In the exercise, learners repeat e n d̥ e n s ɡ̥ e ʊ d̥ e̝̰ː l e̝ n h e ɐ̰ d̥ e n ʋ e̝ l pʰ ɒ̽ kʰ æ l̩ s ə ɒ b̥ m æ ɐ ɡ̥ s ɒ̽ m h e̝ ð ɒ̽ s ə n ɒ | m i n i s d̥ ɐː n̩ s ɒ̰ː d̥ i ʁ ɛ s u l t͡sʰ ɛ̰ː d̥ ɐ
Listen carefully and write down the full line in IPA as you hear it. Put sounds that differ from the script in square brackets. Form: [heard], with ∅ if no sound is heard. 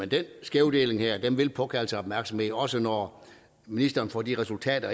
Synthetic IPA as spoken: e n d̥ e n s ɡ̥ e ʊ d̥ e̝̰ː l e̝ [ŋ] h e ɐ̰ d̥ e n ʋ e̝ l pʰ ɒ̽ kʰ æ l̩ s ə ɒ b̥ m æ ɐ ɡ̥ s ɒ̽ m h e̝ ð ɒ̽ s ə n ɒ | m i n i s d̥ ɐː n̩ [f] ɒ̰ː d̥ i ʁ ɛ s u l t͡sʰ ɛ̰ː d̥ ɐ